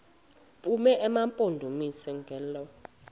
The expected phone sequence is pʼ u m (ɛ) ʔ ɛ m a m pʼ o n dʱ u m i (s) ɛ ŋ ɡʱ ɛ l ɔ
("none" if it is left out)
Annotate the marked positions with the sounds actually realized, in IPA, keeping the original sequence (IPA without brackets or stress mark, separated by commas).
ɛ, s